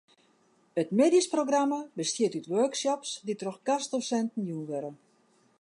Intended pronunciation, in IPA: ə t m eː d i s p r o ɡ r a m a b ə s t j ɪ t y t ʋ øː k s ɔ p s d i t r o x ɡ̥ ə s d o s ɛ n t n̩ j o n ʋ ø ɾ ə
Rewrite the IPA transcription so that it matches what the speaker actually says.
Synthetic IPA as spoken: ə t m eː d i s p r o ɡ r a m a b ə s t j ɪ t y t ʋ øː k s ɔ p s d i t r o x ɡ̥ a s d o s ɛ n t n̩ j u n ʋ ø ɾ ə